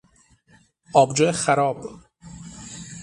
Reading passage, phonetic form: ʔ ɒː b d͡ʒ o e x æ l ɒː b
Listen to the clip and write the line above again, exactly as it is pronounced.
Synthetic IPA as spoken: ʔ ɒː b d͡ʒ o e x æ ɾ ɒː b